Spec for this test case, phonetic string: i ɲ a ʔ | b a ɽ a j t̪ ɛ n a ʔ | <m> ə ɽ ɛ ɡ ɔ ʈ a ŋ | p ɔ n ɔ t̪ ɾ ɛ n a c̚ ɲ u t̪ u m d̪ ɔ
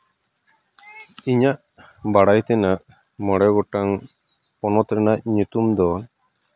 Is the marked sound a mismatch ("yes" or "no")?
no